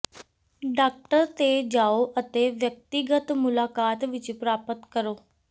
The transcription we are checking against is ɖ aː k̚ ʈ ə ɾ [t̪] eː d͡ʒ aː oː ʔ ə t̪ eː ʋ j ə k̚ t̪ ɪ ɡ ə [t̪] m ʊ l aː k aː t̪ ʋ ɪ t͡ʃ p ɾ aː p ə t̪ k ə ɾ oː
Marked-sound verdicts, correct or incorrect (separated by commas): correct, correct